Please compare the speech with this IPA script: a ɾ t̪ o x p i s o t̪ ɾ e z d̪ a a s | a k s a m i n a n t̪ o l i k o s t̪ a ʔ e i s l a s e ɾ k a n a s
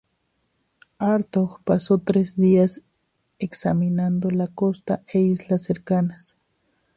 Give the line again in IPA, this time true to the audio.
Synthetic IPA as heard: a ɾ t̪ o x p a s o t̪ ɾ e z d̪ i a s | e k s a m i n a n d̪ o l a k o s t̪ a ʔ e i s l a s e ɾ k a n a s